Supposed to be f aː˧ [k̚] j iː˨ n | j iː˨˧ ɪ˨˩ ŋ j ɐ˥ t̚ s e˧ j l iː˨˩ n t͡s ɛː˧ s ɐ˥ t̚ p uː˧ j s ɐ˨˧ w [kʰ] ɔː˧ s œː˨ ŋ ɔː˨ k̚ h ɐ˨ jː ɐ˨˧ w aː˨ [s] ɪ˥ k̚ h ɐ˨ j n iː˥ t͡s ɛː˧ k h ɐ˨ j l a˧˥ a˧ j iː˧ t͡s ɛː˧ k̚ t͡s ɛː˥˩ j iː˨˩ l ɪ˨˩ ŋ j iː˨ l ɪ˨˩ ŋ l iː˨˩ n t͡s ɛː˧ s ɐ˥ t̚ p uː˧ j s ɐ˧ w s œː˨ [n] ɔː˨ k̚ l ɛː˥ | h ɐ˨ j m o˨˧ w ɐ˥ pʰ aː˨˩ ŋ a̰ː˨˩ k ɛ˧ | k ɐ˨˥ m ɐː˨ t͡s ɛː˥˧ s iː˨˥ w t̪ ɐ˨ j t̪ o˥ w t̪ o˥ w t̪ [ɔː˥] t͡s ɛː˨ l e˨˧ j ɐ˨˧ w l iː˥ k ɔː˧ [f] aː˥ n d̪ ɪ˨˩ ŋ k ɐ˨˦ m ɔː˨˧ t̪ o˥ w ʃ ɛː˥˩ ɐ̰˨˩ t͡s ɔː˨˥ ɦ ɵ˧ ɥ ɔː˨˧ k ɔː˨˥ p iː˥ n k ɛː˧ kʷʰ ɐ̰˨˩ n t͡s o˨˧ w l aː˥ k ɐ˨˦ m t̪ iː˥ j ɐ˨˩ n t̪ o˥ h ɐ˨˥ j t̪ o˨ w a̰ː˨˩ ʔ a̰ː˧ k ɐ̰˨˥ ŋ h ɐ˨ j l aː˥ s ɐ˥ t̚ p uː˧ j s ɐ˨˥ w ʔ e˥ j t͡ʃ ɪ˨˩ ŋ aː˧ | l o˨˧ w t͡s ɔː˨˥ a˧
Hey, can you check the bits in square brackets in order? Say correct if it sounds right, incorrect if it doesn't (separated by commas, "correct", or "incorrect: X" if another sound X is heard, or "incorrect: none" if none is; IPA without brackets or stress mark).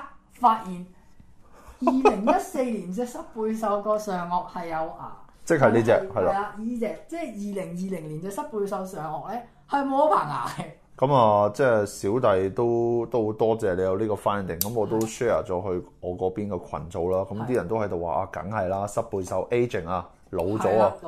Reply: incorrect: t̚, incorrect: k, incorrect: t͡s, incorrect: ŋ, correct, correct